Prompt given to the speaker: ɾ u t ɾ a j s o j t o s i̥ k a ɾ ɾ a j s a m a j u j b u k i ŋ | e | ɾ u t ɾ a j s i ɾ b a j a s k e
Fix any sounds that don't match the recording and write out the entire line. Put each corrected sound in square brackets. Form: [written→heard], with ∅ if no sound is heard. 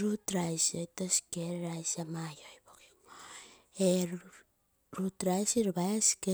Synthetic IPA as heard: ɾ u t ɾ a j s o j t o s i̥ k [a→e] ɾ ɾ a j s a m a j [u→o] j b [u→o] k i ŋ | e | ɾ u t ɾ a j s i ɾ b a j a s k e

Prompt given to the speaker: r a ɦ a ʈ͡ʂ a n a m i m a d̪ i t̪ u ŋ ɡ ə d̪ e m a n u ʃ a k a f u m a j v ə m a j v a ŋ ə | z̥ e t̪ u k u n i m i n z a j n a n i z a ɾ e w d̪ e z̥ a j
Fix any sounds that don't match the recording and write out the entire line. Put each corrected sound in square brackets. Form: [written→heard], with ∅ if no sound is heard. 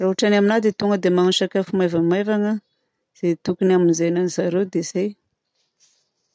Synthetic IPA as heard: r a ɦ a ʈ͡ʂ a n a m i [m→n] a d̪ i t̪ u ŋ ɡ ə d̪ e m a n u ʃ a k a f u m a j v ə m a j v a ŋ ə | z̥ e t̪ u k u n [i→a] m i n z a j n a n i z a ɾ e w d̪ e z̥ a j

